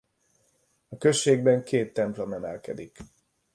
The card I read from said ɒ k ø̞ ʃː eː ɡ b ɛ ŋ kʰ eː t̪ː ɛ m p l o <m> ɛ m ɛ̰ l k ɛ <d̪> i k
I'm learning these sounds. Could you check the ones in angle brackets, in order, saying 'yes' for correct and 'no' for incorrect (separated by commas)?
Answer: yes, yes